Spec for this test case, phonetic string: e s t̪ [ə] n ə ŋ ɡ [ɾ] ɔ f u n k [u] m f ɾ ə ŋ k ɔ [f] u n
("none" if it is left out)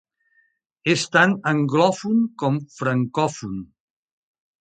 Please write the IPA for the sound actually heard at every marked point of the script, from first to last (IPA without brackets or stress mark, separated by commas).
a, l, ɔ, f